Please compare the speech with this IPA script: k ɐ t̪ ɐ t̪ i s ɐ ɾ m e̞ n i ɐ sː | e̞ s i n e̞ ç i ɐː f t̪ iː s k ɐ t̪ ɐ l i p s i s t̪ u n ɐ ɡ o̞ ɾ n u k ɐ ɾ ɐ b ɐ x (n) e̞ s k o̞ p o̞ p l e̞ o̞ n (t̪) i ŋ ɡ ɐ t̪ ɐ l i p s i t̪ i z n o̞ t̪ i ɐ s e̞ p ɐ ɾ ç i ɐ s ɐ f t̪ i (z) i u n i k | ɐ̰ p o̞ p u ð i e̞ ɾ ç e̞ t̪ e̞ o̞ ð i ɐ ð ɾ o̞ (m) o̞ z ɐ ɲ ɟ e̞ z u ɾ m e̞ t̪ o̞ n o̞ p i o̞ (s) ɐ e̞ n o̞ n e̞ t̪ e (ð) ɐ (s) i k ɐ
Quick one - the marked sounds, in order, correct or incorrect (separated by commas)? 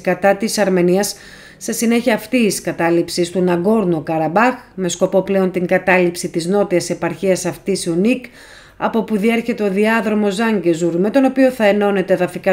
incorrect, correct, incorrect, correct, incorrect, correct, incorrect